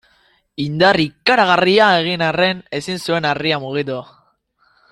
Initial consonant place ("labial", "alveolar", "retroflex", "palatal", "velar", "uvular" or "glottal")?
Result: alveolar